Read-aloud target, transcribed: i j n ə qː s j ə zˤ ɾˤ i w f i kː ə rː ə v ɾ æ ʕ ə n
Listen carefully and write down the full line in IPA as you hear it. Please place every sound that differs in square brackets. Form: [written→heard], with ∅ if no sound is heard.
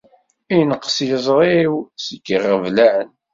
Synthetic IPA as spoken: i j n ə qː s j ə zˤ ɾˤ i w [f→s] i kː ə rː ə v [ɾ→l] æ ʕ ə n